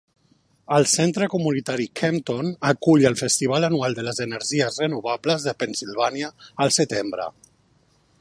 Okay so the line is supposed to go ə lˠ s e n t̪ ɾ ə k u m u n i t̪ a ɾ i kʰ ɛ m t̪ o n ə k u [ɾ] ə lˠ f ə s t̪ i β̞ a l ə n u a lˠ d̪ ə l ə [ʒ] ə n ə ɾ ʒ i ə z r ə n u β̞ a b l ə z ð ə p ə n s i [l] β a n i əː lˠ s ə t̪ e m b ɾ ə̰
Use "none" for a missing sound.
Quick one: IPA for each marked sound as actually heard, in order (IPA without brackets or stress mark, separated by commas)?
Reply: ʎ, z, l